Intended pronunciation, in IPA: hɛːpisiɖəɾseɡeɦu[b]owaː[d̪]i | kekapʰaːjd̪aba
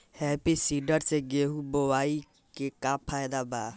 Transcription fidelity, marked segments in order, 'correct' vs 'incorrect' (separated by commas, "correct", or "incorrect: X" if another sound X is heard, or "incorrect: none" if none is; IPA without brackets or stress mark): correct, incorrect: none